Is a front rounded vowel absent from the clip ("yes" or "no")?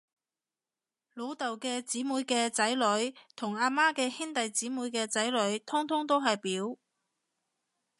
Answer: yes